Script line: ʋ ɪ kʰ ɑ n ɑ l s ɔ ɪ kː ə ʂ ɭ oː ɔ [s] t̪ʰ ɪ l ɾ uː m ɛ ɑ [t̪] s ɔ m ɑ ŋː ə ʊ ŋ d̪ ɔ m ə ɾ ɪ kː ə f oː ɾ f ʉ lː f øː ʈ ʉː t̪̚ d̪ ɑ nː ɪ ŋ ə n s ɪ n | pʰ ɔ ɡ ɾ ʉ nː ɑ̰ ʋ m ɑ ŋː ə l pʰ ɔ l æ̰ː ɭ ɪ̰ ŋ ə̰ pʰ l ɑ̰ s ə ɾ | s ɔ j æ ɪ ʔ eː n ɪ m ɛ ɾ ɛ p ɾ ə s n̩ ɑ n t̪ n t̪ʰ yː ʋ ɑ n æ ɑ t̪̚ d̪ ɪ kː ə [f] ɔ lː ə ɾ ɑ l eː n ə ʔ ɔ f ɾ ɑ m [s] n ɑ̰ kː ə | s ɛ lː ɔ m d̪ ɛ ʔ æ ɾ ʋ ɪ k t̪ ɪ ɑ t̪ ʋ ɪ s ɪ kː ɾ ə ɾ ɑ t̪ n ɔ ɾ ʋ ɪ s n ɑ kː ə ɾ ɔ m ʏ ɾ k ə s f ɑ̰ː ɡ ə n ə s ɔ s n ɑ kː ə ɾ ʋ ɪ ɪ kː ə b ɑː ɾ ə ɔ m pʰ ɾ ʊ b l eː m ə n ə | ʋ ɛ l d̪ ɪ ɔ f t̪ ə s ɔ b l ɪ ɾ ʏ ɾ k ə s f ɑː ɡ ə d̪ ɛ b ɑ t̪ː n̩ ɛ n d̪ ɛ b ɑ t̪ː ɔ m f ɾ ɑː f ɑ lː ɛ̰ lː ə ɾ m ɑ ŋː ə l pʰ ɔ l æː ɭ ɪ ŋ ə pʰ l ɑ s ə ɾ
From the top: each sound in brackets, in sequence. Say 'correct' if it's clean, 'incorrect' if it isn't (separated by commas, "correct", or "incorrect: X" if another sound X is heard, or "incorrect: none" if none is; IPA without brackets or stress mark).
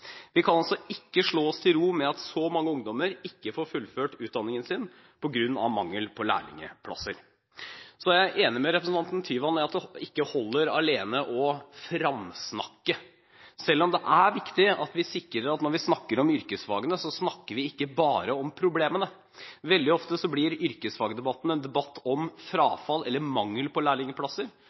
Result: correct, correct, incorrect: h, correct